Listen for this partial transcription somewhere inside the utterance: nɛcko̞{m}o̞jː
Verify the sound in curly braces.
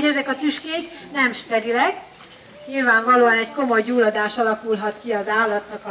correct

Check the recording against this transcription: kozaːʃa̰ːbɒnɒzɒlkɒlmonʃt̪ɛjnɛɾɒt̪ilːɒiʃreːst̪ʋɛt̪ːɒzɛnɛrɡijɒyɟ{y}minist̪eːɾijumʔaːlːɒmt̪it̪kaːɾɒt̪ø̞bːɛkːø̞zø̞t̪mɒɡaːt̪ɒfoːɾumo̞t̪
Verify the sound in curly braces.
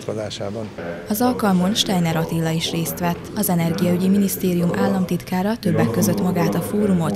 incorrect: i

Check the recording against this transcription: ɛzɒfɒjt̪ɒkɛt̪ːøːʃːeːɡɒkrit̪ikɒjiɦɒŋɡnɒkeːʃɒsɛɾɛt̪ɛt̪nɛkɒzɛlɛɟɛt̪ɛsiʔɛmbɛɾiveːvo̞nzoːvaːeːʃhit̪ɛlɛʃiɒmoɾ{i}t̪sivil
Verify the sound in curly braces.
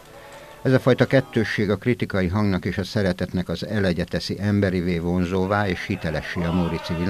correct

